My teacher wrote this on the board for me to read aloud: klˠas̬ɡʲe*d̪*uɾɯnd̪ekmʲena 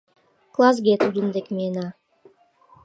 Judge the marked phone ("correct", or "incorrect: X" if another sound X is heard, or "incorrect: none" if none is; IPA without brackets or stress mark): incorrect: t̪